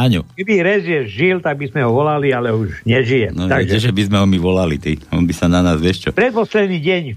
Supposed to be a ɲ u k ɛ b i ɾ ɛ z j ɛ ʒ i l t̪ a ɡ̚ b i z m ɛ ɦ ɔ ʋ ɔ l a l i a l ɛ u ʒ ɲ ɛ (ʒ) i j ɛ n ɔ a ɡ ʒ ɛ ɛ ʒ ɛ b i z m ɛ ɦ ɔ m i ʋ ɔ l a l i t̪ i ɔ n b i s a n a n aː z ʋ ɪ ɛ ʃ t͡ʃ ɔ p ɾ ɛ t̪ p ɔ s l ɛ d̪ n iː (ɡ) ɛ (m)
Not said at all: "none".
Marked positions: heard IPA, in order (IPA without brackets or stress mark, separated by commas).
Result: ʒ, ɟ, ɲ